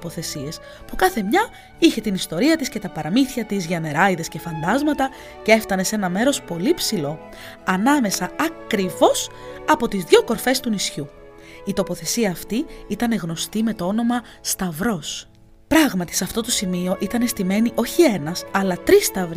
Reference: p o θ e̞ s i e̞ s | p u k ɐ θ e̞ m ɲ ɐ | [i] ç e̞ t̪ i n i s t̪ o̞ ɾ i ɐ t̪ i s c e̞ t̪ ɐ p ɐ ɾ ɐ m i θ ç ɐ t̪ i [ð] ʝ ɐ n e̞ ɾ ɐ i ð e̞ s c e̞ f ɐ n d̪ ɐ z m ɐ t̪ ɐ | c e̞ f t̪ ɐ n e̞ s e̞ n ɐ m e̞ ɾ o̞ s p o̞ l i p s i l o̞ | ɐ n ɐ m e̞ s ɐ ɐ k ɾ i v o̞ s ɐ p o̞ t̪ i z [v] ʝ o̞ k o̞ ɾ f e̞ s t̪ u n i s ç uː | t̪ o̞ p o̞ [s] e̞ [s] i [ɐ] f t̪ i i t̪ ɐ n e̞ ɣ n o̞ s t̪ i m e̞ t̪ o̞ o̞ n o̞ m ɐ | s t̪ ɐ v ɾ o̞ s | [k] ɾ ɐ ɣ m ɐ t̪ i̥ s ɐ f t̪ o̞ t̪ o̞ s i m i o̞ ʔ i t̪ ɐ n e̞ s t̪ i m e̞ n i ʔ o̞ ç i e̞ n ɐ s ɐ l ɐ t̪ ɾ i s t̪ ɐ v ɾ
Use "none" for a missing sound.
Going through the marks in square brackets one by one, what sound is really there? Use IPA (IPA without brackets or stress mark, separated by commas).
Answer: i, z, ð, θ, s, ɐː, p